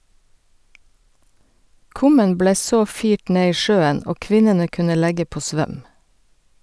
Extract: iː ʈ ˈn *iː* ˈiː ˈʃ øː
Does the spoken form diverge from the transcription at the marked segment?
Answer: yes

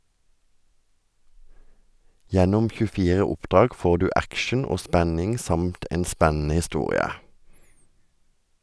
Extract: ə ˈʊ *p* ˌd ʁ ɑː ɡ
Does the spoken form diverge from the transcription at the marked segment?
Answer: no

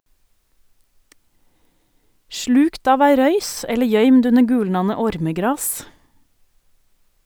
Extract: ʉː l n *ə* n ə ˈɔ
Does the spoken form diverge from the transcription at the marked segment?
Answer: yes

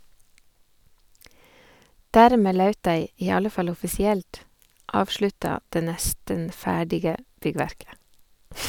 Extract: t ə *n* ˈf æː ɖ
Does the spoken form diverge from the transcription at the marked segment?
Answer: no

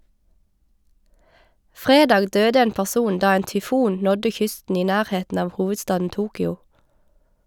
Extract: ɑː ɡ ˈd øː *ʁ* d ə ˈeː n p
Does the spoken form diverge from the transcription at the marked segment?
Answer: yes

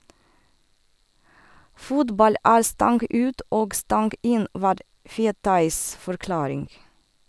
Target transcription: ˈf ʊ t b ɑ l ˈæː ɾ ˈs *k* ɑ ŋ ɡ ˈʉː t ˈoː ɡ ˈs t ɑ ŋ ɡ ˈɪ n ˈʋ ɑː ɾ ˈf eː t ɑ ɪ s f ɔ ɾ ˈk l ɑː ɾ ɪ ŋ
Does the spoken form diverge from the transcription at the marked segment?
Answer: yes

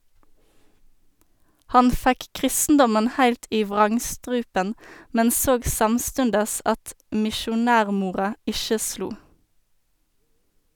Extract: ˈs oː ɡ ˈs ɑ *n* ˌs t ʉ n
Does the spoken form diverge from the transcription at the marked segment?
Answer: yes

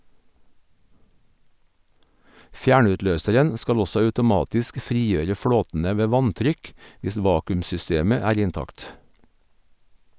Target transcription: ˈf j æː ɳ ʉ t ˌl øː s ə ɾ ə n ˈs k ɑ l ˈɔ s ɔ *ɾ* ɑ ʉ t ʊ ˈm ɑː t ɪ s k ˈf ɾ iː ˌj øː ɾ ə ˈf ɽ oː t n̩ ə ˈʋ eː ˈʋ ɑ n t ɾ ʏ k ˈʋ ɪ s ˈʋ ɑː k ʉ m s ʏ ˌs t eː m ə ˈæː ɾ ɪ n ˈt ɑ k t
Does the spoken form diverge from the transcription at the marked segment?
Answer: yes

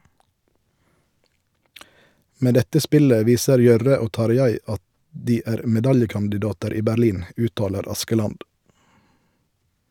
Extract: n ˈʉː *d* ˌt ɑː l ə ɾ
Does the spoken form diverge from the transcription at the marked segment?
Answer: yes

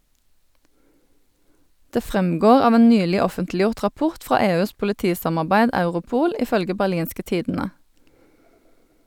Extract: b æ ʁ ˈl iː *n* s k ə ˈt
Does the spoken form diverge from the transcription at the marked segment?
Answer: no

